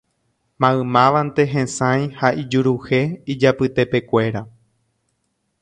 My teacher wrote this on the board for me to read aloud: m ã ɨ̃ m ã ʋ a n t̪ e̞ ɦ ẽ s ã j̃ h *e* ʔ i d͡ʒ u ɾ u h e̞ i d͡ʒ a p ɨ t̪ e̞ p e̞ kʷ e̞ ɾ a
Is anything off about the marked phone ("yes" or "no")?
yes